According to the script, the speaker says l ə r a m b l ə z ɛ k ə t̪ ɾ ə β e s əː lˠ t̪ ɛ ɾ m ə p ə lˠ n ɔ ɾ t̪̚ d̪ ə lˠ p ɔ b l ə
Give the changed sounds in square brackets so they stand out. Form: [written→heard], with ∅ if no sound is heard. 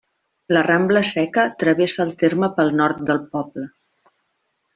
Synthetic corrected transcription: l ə r a m b l ə [z→s] ɛ k ə t̪ ɾ ə β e s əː lˠ t̪ [ɛ→e] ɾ m ə p ə lˠ n ɔ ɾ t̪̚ d̪ ə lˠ p ɔ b l ə